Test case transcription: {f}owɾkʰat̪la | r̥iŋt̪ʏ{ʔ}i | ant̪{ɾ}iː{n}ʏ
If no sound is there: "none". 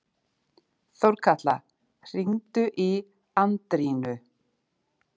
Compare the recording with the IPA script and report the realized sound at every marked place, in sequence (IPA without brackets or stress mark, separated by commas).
θ, ʔ, ɾ, n